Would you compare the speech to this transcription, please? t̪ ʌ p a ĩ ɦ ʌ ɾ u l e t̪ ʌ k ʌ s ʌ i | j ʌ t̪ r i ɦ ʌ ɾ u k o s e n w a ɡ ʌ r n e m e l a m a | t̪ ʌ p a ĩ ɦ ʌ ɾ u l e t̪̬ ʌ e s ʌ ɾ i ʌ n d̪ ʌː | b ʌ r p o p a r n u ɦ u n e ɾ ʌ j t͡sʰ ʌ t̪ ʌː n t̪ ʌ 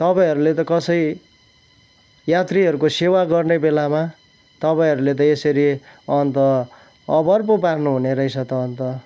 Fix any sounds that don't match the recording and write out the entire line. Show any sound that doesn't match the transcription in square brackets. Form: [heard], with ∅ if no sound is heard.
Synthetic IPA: t̪ ʌ p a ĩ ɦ ʌ ɾ u l e t̪ ʌ k ʌ s ʌ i | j [a] t̪ r i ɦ ʌ ɾ u k o s e [∅] w a ɡ ʌ r n e [b] e l a m a | t̪ ʌ p a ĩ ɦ ʌ ɾ u l e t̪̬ ʌ e s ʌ ɾ i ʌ n [t̪] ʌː | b ʌ r p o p a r n u ɦ u n e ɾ ʌ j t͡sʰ ʌ t̪ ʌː n t̪ ʌ